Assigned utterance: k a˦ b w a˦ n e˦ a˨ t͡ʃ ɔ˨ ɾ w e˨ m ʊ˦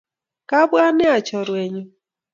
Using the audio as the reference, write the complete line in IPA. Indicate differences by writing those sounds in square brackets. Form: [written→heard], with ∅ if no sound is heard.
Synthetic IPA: k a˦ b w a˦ n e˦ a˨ t͡ʃ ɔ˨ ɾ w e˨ [m→ɲ] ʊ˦